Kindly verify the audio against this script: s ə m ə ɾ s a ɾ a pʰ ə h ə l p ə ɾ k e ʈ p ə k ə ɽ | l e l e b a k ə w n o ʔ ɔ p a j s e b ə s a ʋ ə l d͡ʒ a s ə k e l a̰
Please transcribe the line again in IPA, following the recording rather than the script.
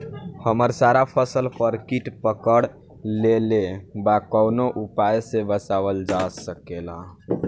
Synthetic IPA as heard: h ə m ə ɾ s a ɾ a pʰ ə s ə l p ə ɾ k i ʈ p ə k ə ɽ | l e l e b a k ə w n o ʔ u p a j s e b ə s a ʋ ə l d͡ʒ a s ə k e l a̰